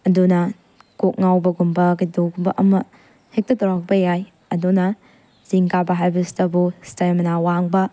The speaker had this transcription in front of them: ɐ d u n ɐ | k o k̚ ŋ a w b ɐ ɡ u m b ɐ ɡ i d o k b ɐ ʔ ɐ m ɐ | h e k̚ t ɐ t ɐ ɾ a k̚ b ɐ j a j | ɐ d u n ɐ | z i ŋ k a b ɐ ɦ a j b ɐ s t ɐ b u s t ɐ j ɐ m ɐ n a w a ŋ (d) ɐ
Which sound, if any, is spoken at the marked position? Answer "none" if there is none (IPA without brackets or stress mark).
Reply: b